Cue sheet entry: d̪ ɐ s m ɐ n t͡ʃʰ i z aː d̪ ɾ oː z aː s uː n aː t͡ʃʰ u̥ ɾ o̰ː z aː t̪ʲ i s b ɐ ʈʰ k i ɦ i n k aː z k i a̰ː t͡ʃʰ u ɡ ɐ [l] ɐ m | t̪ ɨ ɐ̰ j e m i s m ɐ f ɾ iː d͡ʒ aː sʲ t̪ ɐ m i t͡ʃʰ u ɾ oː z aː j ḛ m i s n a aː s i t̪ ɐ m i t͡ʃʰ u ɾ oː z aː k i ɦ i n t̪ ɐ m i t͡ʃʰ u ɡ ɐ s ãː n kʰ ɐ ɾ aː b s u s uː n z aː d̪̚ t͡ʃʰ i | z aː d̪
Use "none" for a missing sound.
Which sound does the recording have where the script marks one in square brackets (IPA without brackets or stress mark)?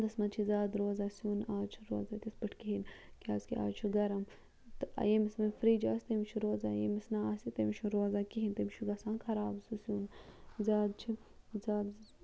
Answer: ɾ